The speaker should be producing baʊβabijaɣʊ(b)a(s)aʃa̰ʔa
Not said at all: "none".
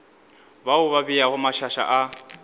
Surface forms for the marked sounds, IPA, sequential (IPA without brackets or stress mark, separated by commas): m, ʃ